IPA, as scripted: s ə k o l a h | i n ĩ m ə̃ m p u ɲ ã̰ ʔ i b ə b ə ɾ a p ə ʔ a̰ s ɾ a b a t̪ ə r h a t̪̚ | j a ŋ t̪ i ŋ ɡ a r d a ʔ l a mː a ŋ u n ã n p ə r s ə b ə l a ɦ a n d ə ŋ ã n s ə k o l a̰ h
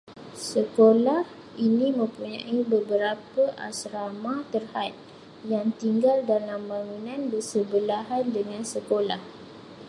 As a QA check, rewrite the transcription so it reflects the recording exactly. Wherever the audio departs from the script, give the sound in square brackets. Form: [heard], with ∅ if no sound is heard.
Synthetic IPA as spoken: s ə k o l a h | i n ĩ m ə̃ m p u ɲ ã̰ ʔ i b ə b ə ɾ a p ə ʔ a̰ s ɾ a [m] a t̪ ə r h a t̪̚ | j a ŋ t̪ i ŋ ɡ a [l] d a [∅] l a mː a ŋ u n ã n [b] ə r s ə b ə l a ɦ a n d ə ŋ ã n s ə k o l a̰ h